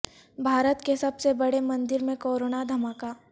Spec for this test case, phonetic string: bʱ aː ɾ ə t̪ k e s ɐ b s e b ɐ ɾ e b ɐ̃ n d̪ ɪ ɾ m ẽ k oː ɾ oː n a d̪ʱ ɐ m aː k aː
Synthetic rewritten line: bʱ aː ɾ ə t̪ k e s ɐ b s e b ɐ ɽ e m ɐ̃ n d̪ ɪ ɾ m ẽ k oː ɾ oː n a d̪ʱ ɐ m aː k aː